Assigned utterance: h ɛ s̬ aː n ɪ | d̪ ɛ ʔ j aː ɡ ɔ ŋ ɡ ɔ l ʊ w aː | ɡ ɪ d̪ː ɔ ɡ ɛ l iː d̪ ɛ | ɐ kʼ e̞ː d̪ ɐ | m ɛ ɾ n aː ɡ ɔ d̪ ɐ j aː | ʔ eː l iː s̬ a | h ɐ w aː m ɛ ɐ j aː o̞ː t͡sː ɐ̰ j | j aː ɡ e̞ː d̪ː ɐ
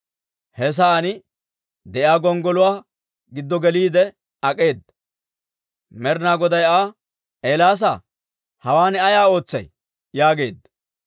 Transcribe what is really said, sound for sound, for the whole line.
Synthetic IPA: h ɛ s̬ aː n ɪ | d̪ ɛ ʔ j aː ɡ ɔ ŋ ɡ ɔ l ʊ w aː | ɡ ɪ d̪ː ɔ ɡ ɛ l iː d̪ ɛ | ɐ kʼ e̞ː d̪ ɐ | m ɛ ɾ n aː ɡ ɔ d̪ ɐ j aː | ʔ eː l aː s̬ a | h ɐ w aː n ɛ ɐ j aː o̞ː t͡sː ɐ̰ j | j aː ɡ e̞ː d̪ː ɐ